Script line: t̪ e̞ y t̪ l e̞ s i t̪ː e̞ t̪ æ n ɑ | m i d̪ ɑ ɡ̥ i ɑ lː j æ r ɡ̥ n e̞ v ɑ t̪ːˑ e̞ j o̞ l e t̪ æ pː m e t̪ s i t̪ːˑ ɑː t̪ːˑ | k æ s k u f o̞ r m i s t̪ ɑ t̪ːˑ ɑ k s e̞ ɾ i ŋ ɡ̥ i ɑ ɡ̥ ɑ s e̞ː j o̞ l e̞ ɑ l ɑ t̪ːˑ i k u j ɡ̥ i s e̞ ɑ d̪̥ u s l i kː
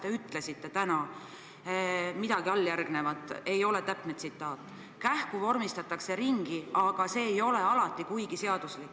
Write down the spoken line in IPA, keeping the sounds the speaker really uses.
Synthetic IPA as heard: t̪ e̞ y t̪ l e̞ s i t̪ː e̞ t̪ æ n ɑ | m i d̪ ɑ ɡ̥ i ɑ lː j æ r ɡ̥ n e̞ v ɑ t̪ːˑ e̞ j o̞ l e t̪ æ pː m e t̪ s i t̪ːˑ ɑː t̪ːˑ | k æ h k u v o̞ r m i s t̪ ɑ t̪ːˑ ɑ k s e̞ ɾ i ŋ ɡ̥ i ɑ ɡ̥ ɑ s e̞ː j o̞ l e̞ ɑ l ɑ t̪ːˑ i k u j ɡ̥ i s e̞ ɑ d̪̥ u s l i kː